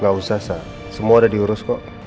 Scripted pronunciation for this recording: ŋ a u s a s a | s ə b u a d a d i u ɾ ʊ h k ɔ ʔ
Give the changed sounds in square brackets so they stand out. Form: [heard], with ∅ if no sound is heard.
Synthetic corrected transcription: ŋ a u s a s a | s ə [m] u a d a d i u ɾ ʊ [s] k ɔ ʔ